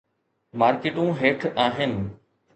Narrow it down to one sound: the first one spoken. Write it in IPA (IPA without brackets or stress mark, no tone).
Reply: m